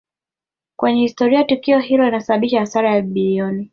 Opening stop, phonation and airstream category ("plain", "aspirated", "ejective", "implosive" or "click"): plain